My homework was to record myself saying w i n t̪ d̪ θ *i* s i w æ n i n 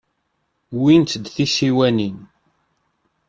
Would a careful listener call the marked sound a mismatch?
no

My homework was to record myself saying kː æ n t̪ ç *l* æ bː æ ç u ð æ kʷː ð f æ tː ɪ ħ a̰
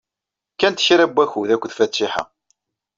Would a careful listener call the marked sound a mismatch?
yes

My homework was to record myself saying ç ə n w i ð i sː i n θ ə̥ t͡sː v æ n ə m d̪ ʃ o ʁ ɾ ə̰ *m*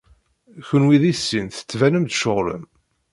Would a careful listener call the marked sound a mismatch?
no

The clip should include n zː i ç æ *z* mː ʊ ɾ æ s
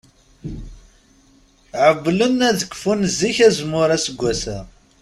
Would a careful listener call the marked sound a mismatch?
no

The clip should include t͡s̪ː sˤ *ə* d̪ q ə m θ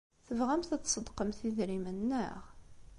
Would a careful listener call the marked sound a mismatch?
no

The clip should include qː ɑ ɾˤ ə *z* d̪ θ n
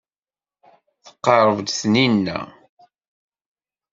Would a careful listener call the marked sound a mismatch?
yes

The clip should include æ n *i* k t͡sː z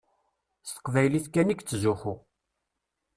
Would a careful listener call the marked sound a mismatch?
no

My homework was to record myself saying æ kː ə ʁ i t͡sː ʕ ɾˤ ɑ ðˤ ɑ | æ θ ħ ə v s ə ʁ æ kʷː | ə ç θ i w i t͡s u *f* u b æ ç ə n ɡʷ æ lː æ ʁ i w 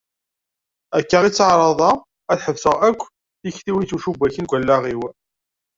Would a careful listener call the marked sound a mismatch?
yes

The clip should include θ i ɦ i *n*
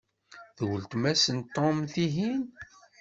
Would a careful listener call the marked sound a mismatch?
no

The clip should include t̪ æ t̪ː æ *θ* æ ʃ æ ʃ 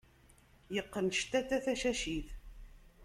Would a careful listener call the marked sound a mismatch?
no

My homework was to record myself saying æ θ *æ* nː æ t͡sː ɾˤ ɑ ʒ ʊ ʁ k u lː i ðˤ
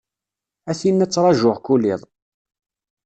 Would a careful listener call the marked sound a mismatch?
yes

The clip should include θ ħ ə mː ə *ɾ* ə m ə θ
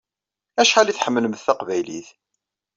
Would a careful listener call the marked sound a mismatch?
yes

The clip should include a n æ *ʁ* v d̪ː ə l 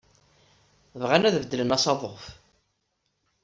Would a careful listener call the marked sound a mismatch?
yes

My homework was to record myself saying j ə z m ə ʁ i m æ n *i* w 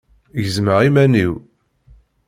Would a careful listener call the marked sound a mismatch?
no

